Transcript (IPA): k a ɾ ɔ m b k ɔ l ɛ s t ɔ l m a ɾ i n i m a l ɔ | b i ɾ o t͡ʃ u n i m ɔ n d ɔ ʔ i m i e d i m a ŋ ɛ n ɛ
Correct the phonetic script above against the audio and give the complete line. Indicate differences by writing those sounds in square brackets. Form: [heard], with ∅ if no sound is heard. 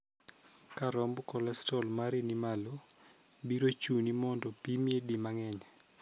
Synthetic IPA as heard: k a ɾ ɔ m b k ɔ l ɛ s t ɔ l m a ɾ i n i m a l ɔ | b i ɾ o t͡ʃ u n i m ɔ n d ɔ [p] i m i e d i m a ŋ ɛ [ɲ] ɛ